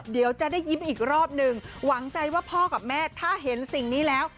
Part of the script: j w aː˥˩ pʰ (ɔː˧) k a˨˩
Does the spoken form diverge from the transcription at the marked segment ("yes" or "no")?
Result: yes